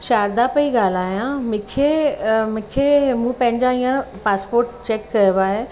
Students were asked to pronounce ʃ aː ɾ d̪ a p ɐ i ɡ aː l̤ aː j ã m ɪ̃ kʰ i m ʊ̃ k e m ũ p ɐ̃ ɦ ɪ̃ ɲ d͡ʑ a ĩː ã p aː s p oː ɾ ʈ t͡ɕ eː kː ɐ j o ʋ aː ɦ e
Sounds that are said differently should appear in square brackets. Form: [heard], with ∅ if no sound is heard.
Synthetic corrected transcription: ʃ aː ɾ d̪ a p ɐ i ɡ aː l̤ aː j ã m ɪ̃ kʰ [e] m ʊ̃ [kʰ] e m ũ p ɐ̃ ɦ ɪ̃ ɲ d͡ʑ a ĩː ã p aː s p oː ɾ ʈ t͡ɕ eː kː ɐ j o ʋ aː ɦ e